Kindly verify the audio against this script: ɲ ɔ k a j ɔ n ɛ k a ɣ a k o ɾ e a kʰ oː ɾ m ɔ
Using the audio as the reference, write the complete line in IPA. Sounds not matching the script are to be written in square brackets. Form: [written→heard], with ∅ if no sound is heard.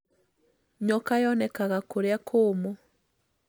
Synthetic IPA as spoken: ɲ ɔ k a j ɔ n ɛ k a ɣ a k o ɾ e a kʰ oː [ɾ→∅] m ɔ